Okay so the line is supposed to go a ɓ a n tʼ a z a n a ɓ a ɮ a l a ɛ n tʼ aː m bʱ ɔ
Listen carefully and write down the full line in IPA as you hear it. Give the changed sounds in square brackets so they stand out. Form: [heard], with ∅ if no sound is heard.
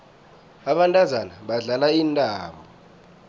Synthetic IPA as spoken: a ɓ a n tʼ a z a n a ɓ a ɮ a l a [i] n tʼ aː m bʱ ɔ